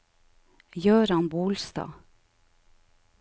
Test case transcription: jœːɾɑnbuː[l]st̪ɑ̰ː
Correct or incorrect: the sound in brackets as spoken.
correct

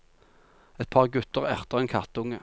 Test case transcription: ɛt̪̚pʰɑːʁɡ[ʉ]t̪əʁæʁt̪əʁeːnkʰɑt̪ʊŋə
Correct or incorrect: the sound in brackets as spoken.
correct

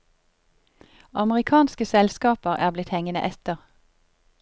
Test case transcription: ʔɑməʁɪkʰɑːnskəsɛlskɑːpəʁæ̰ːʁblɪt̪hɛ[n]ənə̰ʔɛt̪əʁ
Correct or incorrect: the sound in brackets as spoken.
incorrect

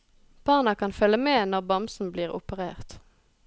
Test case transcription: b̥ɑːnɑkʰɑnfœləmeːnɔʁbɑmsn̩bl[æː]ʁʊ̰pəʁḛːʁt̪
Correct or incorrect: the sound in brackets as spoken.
incorrect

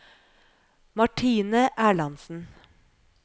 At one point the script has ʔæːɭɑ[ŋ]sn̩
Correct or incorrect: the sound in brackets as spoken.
incorrect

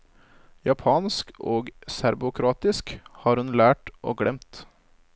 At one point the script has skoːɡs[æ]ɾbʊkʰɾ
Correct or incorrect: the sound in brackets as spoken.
correct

